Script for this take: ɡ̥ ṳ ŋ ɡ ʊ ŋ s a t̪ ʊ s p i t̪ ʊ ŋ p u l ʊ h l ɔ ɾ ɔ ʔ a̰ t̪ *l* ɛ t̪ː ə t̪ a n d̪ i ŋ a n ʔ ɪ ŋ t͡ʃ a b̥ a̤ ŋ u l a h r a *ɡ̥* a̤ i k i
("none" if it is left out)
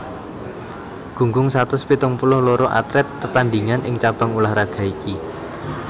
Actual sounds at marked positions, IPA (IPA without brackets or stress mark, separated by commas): ɾ, ɡ̥